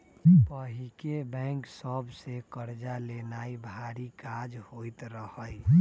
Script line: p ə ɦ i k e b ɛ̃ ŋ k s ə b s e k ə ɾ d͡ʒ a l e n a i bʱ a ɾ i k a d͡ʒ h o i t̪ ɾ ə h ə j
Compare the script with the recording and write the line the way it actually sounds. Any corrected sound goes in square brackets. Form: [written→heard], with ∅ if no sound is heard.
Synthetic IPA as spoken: p ə ɦ i k e b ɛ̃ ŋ k s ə b s e k ə ɾ d͡ʒ a l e n a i bʱ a ɾ i k a d͡ʒ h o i t̪ ɾ ə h ə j